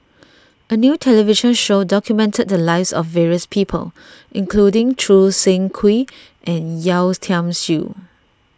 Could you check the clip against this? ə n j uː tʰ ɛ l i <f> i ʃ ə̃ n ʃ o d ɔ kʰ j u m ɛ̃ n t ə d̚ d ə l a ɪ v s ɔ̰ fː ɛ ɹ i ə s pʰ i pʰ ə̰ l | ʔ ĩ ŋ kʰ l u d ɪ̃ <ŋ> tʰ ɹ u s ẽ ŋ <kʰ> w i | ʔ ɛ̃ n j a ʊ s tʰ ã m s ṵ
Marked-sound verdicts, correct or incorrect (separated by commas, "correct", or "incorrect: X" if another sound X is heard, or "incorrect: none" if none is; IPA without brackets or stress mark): incorrect: v, correct, correct